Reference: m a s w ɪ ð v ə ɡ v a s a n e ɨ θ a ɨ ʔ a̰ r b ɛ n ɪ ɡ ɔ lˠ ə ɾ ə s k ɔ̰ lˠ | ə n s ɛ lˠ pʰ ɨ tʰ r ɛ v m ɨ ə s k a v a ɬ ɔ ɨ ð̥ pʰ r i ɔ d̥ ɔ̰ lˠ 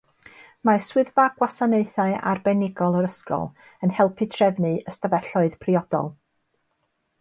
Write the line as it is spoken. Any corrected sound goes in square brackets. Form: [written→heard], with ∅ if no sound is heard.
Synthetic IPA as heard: m a s w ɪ ð v [ə→a] ɡ [v→w] a s a n e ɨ θ a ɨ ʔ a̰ r b ɛ n ɪ ɡ ɔ lˠ ə ɾ ə s k ɔ̰ lˠ | ə n [s→h] ɛ lˠ pʰ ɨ tʰ r ɛ v [m→n] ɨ ə s [k→t] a v [a→ɛ] ɬ ɔ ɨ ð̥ pʰ r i ɔ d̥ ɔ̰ lˠ